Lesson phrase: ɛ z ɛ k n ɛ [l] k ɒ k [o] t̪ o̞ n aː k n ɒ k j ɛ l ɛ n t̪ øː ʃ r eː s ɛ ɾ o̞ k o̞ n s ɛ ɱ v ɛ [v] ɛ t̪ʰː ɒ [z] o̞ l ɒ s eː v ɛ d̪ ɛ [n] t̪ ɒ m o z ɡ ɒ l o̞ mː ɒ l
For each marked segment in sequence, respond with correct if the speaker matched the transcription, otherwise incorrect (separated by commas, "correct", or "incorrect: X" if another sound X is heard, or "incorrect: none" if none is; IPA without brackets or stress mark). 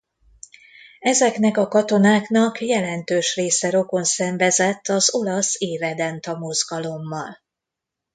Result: incorrect: none, incorrect: ɒ, incorrect: z, correct, correct